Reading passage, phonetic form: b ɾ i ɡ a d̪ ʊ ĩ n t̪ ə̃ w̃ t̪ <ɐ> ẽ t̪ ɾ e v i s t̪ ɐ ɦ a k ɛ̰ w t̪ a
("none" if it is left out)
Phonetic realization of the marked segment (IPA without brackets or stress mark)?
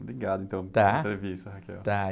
a